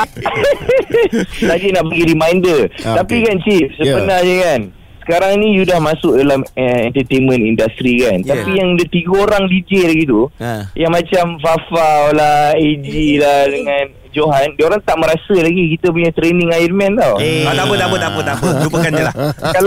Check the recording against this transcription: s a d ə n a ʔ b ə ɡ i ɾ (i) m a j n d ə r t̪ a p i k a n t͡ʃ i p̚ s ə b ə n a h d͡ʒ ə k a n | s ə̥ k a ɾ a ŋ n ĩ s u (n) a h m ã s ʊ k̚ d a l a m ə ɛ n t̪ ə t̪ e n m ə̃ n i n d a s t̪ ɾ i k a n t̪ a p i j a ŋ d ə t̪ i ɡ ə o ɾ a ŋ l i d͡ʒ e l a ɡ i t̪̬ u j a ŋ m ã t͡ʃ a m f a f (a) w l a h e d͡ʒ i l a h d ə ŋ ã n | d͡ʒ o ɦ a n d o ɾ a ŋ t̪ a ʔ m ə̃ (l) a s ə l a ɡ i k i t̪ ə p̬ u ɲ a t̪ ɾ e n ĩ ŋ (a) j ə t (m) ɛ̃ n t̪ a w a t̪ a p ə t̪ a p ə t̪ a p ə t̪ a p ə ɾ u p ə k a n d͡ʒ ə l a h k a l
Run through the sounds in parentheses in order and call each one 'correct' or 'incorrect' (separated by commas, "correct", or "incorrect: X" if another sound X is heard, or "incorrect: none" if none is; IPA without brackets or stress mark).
correct, incorrect: d, correct, incorrect: ɾ, correct, correct